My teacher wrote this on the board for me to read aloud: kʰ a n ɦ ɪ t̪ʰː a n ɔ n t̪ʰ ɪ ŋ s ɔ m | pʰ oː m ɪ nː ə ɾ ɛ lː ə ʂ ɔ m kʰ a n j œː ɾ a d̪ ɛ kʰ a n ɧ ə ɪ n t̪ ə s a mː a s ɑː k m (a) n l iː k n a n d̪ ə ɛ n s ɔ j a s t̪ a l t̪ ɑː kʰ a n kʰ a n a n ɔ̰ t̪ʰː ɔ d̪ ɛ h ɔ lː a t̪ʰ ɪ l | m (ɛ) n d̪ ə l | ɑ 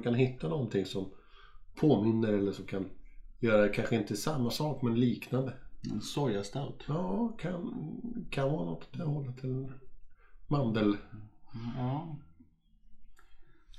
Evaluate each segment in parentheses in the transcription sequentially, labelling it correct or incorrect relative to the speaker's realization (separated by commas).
incorrect, incorrect